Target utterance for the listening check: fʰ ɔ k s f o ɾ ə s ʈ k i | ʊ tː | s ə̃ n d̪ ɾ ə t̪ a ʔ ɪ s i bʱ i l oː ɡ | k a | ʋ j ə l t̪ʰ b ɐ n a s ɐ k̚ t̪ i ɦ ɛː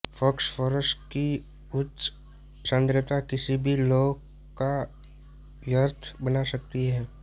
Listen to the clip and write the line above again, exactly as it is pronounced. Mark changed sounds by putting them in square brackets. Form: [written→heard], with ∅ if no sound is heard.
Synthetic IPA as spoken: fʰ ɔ k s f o ɾ ə s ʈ k i | ʊ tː | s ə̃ n d̪ ɾ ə t̪ a [ʔ→k] ɪ s i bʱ i l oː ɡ | k a | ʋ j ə [l→ɾ] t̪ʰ b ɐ n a s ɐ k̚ t̪ i ɦ ɛː